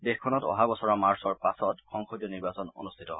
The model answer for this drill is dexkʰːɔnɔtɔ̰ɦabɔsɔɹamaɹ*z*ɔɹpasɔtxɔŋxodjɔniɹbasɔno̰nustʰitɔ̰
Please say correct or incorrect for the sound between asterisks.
incorrect